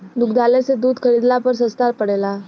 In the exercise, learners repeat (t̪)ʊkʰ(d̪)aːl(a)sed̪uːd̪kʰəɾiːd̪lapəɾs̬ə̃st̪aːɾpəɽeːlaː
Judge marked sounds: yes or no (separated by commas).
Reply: no, yes, no